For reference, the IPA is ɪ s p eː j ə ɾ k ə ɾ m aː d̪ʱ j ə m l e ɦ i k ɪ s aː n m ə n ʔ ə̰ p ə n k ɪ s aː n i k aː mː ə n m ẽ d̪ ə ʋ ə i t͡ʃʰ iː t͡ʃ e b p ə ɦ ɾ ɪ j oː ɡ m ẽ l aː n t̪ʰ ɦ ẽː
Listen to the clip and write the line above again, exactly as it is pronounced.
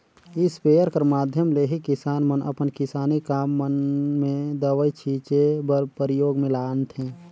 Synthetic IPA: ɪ s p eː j ə ɾ k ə ɾ m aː d̪ʱ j ə m l e ɦ i k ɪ s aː n m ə n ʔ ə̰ p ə n k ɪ s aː n i k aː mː ə n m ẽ d̪ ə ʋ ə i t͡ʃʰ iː t͡ʃ e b p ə ɾ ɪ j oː ɡ m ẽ l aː n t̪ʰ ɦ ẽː